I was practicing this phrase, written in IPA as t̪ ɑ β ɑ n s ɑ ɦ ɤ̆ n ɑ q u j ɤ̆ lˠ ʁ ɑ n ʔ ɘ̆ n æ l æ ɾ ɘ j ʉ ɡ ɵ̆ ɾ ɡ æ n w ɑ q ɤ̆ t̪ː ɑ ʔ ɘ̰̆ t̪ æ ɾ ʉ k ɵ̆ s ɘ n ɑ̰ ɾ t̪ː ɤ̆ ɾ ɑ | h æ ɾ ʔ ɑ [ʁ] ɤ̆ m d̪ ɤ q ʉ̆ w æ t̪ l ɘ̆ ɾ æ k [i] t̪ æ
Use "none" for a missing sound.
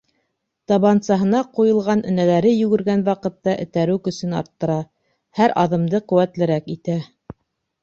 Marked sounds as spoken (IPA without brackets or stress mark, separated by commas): ð, i